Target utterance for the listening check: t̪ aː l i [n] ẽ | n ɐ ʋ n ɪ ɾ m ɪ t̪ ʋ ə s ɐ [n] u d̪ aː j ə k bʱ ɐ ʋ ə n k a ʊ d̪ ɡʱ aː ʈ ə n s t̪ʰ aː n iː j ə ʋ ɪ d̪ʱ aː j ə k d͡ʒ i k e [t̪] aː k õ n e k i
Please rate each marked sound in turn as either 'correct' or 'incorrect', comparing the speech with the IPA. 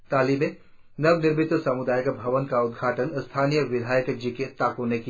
incorrect, incorrect, correct

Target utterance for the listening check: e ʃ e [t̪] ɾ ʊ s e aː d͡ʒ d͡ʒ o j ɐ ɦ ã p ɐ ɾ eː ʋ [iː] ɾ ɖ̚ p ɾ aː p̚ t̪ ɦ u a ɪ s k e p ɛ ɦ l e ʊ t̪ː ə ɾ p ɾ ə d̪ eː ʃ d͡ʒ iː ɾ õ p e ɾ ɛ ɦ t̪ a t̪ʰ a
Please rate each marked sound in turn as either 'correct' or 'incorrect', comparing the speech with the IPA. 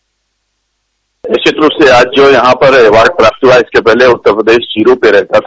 correct, incorrect

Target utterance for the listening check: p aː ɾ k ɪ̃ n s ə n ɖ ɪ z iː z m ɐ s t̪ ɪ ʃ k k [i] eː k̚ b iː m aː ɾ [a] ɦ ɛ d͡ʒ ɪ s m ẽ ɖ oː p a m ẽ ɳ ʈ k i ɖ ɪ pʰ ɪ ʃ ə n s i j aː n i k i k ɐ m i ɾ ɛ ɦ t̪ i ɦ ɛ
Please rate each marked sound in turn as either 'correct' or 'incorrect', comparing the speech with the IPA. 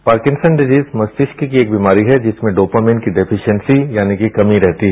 correct, incorrect

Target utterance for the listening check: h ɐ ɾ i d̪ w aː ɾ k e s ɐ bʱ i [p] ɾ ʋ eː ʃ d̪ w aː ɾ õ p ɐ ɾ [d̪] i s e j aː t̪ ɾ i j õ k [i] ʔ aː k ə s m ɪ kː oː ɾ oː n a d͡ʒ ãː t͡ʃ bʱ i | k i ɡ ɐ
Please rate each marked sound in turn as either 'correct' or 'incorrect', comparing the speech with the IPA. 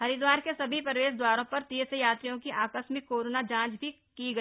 correct, incorrect, correct

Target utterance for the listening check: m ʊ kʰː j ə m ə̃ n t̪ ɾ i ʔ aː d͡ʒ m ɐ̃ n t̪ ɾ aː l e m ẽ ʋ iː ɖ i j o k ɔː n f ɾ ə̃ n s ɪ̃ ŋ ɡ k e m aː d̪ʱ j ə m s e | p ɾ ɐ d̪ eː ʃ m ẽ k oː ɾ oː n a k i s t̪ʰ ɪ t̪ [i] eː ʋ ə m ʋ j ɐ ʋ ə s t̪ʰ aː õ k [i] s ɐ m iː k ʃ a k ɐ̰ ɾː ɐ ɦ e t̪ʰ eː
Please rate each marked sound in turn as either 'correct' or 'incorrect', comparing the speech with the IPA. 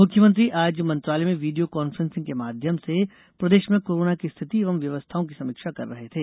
correct, correct

